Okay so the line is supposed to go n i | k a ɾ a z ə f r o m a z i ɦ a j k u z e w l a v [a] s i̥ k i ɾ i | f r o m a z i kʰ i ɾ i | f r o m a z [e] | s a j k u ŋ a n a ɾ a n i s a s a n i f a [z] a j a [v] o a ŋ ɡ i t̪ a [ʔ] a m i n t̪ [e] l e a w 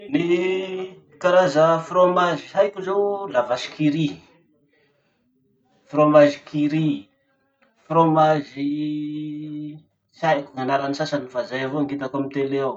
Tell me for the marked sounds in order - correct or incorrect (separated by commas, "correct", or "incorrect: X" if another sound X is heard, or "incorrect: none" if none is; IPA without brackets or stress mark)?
correct, incorrect: i, correct, correct, incorrect: k, correct